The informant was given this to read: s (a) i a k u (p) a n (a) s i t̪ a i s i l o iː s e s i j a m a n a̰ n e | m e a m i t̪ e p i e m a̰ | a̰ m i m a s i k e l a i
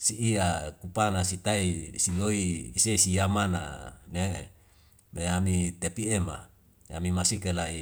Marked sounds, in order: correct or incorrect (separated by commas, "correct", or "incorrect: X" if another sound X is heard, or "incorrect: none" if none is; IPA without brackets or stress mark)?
incorrect: i, correct, correct